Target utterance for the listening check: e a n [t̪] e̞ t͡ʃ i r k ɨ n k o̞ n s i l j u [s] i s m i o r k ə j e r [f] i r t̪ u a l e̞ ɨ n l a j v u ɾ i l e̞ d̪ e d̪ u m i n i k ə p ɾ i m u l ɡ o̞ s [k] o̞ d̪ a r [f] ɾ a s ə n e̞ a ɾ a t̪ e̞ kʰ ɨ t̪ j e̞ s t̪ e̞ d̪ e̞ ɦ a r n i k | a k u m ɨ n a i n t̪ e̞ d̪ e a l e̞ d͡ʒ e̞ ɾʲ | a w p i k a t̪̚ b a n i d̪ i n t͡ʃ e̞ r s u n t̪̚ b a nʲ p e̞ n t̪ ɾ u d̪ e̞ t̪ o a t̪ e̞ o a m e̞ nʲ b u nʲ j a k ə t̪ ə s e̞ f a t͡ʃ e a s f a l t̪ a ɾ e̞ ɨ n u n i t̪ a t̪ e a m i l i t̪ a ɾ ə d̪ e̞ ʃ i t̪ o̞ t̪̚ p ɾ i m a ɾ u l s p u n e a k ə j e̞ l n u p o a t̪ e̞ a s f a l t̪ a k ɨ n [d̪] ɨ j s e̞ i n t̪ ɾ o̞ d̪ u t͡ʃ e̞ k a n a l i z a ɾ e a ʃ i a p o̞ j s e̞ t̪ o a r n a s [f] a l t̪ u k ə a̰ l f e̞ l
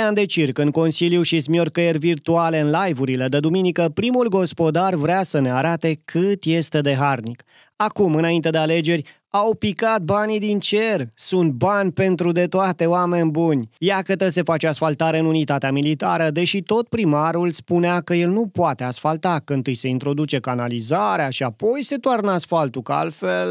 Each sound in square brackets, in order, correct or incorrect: incorrect, incorrect, incorrect, incorrect, incorrect, incorrect, correct

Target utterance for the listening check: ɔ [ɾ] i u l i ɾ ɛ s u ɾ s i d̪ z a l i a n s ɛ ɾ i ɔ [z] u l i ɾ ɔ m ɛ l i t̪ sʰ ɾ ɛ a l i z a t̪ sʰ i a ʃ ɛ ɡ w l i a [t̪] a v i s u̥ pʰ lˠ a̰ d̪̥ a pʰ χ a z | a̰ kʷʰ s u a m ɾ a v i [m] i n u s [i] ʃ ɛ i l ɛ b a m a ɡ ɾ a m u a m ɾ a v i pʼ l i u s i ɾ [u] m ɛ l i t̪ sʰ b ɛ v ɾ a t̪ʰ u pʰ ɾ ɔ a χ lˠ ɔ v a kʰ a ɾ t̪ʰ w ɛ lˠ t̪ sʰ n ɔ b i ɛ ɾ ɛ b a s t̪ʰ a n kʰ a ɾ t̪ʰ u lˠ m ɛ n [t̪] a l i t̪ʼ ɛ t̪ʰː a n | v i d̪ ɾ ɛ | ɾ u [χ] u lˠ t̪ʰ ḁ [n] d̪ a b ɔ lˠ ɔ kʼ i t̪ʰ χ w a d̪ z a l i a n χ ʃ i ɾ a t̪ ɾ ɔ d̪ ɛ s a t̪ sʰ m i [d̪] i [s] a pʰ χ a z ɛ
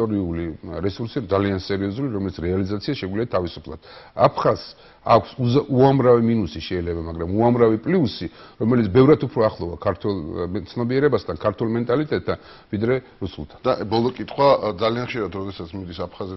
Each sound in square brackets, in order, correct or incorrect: correct, correct, incorrect, correct, correct, incorrect, incorrect, incorrect, correct, correct, correct

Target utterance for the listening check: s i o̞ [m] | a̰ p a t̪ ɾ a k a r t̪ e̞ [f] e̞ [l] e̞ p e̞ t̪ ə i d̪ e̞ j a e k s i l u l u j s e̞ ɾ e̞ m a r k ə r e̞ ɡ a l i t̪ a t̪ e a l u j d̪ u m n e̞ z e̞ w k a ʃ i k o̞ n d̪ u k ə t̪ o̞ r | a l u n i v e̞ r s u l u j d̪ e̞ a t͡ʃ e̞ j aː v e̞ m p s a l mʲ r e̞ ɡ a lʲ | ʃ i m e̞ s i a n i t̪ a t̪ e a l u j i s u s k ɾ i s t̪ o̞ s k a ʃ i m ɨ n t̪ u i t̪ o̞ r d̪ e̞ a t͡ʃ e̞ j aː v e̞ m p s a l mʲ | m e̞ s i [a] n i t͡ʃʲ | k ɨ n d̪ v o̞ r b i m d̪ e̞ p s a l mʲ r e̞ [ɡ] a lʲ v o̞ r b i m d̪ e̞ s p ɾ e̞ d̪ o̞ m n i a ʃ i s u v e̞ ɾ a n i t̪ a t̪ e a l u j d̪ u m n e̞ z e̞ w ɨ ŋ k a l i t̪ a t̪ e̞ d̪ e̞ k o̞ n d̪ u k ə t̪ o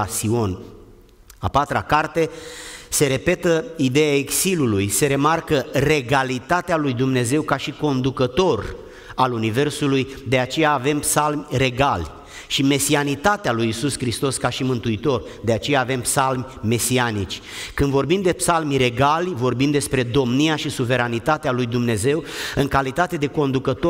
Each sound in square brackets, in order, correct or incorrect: incorrect, incorrect, incorrect, correct, correct

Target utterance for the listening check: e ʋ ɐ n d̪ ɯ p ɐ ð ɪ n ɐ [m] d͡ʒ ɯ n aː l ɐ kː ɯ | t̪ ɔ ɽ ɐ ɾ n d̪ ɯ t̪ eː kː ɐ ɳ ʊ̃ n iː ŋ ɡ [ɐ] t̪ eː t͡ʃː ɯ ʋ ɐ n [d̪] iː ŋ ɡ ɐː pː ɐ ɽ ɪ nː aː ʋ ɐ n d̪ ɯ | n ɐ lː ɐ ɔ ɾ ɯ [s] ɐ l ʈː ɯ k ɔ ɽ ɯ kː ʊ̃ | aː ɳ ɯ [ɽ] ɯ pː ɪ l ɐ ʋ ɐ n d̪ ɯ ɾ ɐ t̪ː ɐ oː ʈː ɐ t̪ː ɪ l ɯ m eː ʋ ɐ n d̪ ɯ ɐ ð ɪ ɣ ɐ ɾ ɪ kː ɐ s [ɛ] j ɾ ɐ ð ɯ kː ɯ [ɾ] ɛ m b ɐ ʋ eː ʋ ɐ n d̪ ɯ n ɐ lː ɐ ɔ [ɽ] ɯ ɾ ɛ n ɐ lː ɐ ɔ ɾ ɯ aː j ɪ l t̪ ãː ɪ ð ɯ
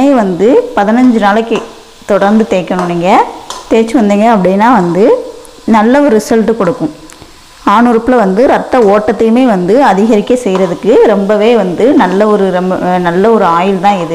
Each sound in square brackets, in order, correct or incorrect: incorrect, correct, correct, correct, incorrect, correct, correct, incorrect

